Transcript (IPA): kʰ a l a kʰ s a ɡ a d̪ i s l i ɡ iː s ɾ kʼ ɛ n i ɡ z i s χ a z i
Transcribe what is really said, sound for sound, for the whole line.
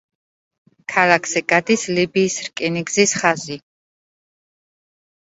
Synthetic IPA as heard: kʰ a l a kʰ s ɛ ɡ a d̪ i s l i b iː s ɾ kʼ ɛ n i ɡ z i s χ a z i